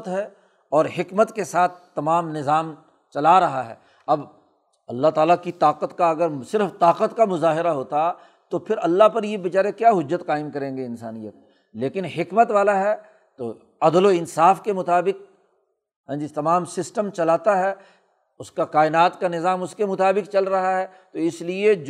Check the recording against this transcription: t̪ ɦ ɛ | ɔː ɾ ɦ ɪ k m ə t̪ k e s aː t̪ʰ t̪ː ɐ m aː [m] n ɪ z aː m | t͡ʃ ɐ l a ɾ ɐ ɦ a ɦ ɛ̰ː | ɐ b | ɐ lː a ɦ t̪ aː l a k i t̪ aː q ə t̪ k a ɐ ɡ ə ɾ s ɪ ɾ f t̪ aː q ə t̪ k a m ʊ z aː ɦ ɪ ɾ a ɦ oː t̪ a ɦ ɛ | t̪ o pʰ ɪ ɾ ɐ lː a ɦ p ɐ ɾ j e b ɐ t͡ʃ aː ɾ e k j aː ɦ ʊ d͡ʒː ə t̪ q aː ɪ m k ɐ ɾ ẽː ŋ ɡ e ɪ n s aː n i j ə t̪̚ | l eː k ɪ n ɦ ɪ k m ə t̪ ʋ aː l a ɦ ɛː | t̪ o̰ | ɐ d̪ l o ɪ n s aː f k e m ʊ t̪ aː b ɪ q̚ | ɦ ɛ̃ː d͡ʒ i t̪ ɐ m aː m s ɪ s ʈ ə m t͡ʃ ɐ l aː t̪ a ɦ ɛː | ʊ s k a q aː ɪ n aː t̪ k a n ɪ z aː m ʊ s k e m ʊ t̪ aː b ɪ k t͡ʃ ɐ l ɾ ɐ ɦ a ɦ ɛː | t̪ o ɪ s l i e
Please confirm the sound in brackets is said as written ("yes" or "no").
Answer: yes